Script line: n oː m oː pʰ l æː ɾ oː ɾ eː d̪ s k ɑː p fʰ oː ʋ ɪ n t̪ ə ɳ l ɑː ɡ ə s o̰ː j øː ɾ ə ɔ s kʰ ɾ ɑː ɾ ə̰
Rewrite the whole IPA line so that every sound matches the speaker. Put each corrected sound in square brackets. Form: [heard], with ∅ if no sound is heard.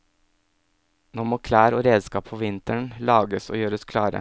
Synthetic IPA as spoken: n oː m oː [kʰ] l æː ɾ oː ɾ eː d̪ s k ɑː p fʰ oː ʋ ɪ n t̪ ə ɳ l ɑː ɡ ə s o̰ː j øː ɾ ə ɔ s kʰ [l] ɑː ɾ ə̰